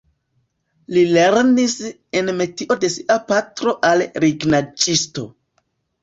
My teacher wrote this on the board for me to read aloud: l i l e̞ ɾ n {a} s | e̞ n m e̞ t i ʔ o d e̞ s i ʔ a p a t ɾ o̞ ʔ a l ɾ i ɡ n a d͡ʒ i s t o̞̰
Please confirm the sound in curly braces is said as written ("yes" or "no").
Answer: no